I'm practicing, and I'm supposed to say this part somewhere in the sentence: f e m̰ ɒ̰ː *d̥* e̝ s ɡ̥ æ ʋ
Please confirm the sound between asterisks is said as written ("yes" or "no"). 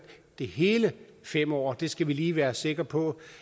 yes